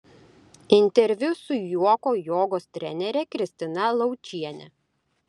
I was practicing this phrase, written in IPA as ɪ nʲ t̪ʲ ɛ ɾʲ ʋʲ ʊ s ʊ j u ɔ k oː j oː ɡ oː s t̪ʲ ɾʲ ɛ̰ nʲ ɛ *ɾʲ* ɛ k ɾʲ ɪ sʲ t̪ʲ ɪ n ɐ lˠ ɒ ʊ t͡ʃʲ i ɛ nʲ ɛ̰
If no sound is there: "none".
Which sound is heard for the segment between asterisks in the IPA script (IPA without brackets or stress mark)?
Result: ɾʲ